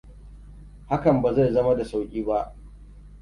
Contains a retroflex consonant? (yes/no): no